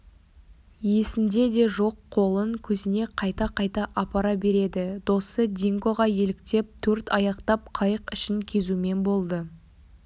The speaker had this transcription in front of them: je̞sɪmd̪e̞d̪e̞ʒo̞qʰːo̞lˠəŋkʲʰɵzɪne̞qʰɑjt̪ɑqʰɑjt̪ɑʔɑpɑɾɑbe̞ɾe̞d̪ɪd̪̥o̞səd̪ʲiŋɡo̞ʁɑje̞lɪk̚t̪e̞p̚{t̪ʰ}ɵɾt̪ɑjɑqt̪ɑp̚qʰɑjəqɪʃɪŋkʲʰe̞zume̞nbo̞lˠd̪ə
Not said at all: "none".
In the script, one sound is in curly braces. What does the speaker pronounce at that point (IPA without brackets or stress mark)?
t̪ʰ